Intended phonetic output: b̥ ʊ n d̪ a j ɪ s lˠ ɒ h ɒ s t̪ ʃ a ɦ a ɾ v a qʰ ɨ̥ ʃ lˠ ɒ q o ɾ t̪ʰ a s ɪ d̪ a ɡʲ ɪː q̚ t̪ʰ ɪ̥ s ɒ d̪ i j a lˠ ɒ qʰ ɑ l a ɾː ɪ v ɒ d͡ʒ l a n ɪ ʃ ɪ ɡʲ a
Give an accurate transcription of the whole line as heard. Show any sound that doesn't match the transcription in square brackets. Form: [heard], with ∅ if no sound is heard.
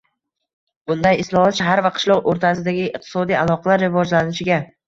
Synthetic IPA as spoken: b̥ ʊ n d̪ a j ɪ s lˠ ɒ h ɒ [∅] t̪ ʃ a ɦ a ɾ v a qʰ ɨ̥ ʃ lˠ ɒ q o ɾ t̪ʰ a s ɪ d̪ a ɡʲ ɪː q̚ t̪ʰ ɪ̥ s ɒ d̪ i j a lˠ ɒ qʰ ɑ l a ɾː ɪ v ɒ d͡ʒ l a n ɪ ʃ ɪ ɡʲ a